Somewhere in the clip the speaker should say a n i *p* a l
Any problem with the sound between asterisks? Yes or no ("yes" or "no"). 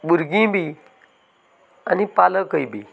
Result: no